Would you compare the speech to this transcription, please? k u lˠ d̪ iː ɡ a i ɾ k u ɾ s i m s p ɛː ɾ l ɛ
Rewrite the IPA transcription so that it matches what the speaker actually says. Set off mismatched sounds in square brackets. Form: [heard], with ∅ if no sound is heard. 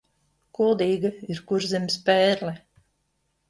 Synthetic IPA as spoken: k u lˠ d̪ iː ɡ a i ɾ k u ɾ [z] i m s p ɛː ɾ l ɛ